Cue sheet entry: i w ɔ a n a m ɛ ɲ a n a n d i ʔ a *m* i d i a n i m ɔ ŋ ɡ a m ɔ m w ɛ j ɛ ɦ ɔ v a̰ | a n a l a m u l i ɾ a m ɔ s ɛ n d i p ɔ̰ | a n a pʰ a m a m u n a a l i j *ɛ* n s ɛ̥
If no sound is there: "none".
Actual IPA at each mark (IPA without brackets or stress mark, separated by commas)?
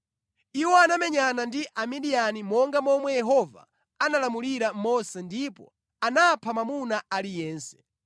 m, ɛː